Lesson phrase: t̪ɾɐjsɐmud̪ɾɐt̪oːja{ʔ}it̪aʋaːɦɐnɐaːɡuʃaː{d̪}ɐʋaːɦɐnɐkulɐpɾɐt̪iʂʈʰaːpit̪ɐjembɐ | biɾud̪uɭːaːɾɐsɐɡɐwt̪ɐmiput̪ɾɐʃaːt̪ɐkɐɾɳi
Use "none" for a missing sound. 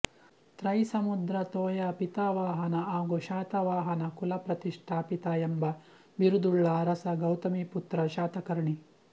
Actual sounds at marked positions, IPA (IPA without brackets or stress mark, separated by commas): p, t̪